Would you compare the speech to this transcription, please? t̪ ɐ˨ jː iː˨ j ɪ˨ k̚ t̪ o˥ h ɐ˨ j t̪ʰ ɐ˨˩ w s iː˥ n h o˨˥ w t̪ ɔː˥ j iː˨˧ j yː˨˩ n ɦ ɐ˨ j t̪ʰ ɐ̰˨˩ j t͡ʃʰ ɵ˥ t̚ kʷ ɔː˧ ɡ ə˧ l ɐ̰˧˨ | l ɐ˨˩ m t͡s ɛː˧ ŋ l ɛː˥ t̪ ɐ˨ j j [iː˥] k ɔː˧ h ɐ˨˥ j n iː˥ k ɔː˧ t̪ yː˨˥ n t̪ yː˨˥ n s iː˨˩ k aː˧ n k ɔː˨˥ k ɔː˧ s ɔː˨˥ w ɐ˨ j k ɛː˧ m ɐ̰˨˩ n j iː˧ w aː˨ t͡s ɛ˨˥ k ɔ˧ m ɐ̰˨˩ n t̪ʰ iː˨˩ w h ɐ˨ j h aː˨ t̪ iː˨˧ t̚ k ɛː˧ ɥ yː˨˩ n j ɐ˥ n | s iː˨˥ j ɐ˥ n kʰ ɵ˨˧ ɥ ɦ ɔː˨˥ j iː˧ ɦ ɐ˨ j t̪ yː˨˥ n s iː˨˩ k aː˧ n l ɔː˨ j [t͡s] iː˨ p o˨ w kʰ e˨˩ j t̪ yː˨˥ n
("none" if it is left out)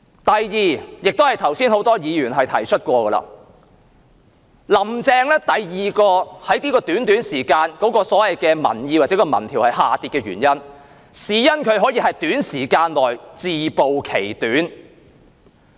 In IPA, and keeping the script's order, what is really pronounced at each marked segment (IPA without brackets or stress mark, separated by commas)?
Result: iː˨, t͡s